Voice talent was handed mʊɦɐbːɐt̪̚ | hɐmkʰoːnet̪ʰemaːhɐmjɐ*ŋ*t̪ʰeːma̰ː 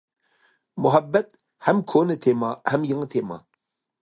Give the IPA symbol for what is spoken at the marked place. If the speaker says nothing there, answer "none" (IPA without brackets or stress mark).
ŋ